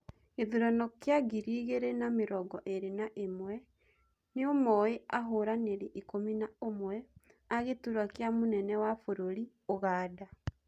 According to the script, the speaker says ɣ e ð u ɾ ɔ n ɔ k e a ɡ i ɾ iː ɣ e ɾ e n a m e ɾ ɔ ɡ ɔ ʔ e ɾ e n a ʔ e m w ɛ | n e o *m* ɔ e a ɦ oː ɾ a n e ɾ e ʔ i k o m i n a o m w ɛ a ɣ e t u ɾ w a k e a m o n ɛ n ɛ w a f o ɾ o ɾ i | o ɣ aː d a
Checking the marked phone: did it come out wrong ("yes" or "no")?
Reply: no